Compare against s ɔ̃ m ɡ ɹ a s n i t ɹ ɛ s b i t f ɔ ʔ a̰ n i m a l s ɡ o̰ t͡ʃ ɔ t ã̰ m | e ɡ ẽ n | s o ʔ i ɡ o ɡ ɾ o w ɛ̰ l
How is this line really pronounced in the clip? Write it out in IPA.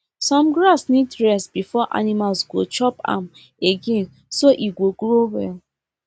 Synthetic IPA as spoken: s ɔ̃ m ɡ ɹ a s n i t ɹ ɛ s b i f ɔ ʔ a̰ n i m a l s ɡ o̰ t͡ʃ ɔ p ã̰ m | e ɡ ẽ n | s o ʔ i ɡ o ɡ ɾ o w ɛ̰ l

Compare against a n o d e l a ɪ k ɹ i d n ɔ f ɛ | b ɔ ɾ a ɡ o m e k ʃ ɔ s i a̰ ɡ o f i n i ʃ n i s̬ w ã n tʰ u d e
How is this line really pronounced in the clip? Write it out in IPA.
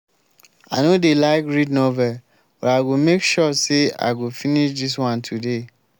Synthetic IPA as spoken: a n o d e l a ɪ k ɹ i d n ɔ v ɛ | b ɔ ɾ a ɡ o m e k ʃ ɔ s e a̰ ɡ o f i n i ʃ d i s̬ w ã n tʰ u d e

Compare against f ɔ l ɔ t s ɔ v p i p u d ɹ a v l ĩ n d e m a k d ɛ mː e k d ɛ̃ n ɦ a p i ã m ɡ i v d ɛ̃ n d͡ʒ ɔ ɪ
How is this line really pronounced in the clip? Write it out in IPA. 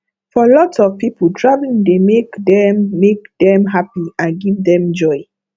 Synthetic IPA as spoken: f ɔ l ɔ t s ɔ v p i p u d ɹ a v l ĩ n d e m e k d ɛ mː e k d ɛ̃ m ɦ a p i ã n ɡ i v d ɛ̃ m d͡ʒ ɔ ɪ

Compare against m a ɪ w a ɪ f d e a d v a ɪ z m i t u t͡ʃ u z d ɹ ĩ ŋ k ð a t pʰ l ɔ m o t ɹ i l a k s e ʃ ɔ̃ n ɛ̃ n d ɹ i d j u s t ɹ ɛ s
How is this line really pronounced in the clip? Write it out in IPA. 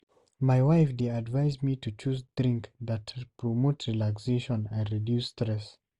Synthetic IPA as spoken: m a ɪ w a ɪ f d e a d v a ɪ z m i t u t͡ʃ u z d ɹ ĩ ŋ k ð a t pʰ ɹ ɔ m o t ɹ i l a k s e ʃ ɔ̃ n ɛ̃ n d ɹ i d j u s t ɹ ɛ s

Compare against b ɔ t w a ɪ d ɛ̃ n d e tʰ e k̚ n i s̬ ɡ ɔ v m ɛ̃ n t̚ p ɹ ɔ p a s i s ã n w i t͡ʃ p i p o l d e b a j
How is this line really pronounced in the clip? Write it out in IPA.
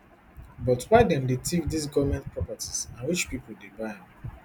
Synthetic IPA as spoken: b ɔ t w a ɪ d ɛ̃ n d e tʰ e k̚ d i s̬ ɡ ɔ v m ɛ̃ n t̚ p ɹ ɔ p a t i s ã n w i t͡ʃ p i p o l d e b a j

